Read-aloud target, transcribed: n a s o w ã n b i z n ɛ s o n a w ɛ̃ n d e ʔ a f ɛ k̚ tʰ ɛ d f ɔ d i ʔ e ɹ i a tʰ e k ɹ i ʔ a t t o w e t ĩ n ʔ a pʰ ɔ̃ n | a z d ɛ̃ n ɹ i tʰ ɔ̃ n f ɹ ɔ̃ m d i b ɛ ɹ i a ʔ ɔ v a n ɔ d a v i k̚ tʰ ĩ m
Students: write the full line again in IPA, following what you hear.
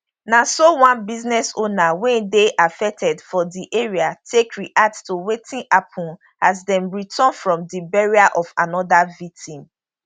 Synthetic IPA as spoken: n a s o w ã n b i z n ɛ s o n a w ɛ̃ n d e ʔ a f ɛ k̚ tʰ ɛ d f ɔ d i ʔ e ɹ i a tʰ e k ɹ i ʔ a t t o w e t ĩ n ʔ a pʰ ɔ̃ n | a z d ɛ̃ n ɹ i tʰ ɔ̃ n f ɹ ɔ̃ m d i b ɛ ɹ i a ʔ ɔ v a n ɔ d a v i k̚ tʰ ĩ m

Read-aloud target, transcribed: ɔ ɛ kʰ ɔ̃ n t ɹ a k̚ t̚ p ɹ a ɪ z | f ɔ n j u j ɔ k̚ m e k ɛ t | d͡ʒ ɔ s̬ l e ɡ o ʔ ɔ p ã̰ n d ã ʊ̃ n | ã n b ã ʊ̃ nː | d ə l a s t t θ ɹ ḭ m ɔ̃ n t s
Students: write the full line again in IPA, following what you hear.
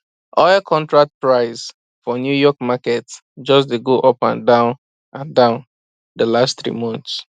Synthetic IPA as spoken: ɔ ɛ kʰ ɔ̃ n t ɹ a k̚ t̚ p ɹ a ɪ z | f ɔ n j u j ɔ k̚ m a k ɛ t | d͡ʒ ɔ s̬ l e ɡ o ʔ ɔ p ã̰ n d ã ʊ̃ n | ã n d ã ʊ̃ n | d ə l a s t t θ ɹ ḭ m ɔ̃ n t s

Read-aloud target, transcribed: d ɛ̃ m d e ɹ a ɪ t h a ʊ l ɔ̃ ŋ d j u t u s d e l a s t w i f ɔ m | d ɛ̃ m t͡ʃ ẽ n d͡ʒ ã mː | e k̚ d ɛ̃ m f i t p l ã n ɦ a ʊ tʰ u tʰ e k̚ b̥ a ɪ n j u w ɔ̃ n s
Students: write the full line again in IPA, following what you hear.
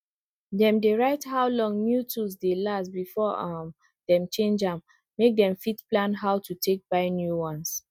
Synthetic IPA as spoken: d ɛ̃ m d e ɹ a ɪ t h a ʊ l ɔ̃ ŋ n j u t u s d e l a s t b i f ɔ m | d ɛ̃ m t͡ʃ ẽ n d͡ʒ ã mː | e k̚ d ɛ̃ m f i t p l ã n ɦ a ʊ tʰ u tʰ e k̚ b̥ a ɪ n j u w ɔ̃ n s

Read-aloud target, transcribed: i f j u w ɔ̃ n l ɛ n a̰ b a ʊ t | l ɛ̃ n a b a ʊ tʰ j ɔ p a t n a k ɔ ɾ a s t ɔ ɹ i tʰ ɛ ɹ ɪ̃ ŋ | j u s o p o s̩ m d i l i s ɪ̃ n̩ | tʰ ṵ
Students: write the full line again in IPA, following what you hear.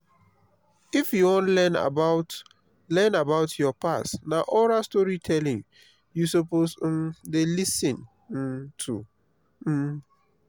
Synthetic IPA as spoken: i f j u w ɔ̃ n l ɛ n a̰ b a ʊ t | l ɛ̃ n a b a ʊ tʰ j ɔ p a s n a ʔ ɔ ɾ a s t ɔ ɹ i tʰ ɛ l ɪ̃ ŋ | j u s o p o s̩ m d e l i s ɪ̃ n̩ | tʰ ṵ

